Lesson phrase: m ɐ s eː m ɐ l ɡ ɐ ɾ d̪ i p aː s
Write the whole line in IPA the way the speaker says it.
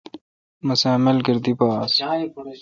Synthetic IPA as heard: m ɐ s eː m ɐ l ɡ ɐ ɾ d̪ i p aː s